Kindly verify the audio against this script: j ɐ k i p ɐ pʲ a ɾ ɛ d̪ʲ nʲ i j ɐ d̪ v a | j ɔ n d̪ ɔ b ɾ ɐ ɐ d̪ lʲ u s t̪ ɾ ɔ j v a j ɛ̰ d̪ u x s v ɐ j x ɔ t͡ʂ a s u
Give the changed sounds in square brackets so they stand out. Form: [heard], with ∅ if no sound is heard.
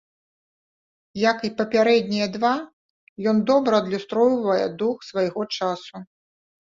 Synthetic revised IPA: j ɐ k i p ɐ pʲ a ɾ ɛ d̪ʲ nʲ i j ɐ d̪ v a | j ɔ n d̪ ɔ b ɾ ɐ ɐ d̪ lʲ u s t̪ ɾ ɔ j v [ɐ] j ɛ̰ d̪ u x s v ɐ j [ɣ] ɔ t͡ʂ a s u